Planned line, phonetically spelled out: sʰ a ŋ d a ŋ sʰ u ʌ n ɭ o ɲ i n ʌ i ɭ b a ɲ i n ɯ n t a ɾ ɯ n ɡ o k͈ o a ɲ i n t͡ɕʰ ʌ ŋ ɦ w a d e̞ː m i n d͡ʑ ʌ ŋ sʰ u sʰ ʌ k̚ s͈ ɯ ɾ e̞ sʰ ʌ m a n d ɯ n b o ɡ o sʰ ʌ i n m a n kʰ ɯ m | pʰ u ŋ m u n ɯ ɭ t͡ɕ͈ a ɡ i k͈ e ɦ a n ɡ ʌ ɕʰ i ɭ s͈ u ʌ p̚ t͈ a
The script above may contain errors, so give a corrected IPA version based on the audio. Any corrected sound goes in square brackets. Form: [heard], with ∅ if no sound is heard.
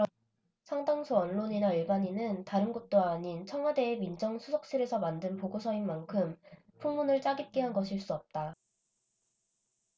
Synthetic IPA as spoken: sʰ a ŋ d a ŋ sʰ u ʌ n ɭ o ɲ i n [a] i ɭ b a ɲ i n ɯ n t a ɾ ɯ n ɡ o [t͈] o a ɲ i n t͡ɕʰ ʌ ŋ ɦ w a d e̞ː m i n d͡ʑ ʌ ŋ sʰ u sʰ ʌ k̚ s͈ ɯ ɾ e̞ sʰ ʌ m a n d ɯ n [p] o ɡ o sʰ ʌ i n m a n kʰ ɯ m | pʰ u ŋ m u n ɯ ɭ t͡ɕ͈ a ɡ i k͈ e ɦ a n ɡ ʌ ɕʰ i ɭ s͈ u ʌ p̚ t͈ a